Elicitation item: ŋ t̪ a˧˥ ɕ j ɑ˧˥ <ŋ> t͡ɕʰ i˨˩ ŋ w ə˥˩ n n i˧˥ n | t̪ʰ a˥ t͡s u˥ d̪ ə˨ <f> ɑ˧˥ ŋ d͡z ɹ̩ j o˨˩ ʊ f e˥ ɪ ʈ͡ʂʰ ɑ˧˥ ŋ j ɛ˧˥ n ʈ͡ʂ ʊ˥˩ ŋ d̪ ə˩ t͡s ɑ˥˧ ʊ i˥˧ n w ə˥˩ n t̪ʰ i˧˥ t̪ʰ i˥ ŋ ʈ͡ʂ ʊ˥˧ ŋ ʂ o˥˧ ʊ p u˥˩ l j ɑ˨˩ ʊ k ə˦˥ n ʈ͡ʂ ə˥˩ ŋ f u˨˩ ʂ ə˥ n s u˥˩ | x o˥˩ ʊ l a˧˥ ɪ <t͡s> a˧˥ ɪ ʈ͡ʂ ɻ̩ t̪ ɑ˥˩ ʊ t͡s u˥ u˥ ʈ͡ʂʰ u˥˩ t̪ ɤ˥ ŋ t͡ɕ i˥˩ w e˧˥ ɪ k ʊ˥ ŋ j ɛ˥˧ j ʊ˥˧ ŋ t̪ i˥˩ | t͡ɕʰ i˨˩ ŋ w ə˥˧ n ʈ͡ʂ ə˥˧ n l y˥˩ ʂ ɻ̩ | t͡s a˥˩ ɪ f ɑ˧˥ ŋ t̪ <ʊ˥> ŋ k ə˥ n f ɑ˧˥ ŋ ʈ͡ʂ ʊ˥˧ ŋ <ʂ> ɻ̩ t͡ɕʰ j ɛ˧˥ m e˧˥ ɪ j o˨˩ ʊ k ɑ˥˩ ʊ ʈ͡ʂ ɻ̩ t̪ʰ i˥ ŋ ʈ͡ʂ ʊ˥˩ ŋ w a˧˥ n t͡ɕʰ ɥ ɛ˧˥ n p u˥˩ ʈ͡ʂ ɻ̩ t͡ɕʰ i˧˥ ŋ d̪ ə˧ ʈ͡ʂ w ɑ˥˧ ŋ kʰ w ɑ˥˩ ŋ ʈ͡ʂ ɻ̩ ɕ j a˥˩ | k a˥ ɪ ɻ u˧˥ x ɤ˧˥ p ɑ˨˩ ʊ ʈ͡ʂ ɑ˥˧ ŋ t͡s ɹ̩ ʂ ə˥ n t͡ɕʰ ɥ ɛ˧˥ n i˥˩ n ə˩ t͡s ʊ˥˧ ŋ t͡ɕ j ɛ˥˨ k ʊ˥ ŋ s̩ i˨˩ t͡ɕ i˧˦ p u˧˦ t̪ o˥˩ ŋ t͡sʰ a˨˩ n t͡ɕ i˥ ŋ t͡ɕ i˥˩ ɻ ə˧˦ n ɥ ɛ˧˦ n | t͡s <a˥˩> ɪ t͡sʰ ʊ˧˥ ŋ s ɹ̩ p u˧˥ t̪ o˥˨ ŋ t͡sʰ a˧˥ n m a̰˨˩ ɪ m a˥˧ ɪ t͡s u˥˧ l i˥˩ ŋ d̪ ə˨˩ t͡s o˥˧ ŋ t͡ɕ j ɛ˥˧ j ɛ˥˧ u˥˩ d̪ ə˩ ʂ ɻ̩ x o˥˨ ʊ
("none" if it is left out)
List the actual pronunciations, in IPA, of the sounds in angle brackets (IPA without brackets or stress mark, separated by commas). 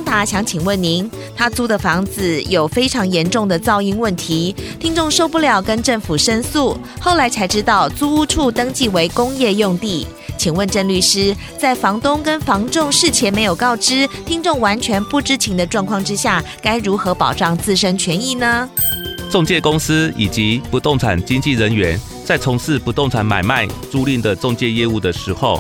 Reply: ŋ, f, t͡sʰ, ʊ˥, ʂ, a˥˩